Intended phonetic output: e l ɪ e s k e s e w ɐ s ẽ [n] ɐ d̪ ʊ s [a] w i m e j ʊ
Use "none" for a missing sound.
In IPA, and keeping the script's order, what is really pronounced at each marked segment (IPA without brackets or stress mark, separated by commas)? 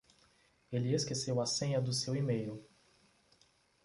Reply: ɲ, e